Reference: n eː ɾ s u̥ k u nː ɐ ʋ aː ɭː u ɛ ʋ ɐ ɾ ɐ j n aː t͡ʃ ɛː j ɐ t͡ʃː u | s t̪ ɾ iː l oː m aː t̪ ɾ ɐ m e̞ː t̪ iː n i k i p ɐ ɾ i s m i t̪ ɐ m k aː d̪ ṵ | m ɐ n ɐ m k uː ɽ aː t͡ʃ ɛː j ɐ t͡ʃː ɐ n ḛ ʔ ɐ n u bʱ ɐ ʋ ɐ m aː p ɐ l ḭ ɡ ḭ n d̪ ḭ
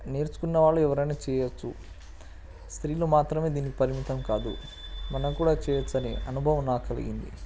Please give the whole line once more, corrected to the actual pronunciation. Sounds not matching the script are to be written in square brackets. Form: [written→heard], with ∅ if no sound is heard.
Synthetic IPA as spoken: n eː ɾ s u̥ k u nː ɐ ʋ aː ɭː u ɛ ʋ ɐ ɾ ɐ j n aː t͡ʃ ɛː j ɐ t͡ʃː u | s t̪ ɾ iː l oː m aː t̪ ɾ ɐ m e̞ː [t̪→d̪] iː n i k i p ɐ ɾ i [s→∅] m i t̪ ɐ m k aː d̪ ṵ | m ɐ n ɐ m k uː ɽ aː t͡ʃ ɛː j ɐ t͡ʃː ɐ n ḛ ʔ ɐ n u bʱ ɐ ʋ ɐ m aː [p→k] ɐ l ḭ ɡ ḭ n d̪ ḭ